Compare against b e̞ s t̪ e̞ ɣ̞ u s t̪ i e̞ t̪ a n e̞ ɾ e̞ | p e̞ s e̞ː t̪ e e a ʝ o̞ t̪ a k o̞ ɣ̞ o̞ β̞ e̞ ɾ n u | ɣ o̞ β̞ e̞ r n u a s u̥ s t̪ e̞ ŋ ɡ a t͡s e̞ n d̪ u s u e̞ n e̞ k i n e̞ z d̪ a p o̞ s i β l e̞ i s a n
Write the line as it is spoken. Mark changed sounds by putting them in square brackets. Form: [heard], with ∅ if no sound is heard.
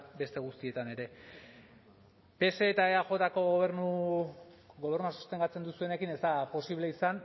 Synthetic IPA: b e̞ s t̪ e̞ ɣ̞ u s t̪ i e̞ t̪ a n e̞ ɾ e̞ | p e̞ s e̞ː t̪ [a] e a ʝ o̞ t̪ a k o̞ ɣ̞ o̞ β̞ e̞ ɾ n u | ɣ o̞ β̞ e̞ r n u a s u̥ s t̪ e̞ ŋ ɡ a t͡s e̞ n d̪ u s u e̞ n e̞ k i n e̞ z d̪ a p o̞ s i β l e̞ i s a n